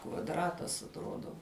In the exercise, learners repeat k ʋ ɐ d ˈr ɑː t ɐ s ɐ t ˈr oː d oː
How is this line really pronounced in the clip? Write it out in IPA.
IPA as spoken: k ʋ ɐ d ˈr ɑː t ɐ s ɐ t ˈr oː d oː